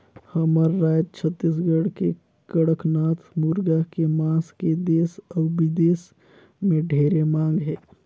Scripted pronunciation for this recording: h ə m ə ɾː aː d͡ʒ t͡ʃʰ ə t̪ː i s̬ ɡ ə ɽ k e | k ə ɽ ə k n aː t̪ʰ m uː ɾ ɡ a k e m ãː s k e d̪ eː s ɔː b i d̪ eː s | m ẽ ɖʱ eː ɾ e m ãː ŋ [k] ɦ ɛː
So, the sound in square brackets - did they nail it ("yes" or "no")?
no